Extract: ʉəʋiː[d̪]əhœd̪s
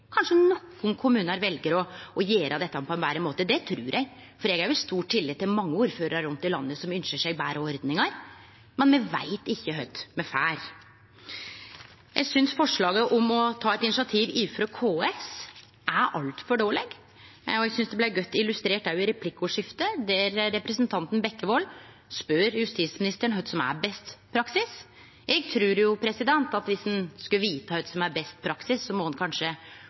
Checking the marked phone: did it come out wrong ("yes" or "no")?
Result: yes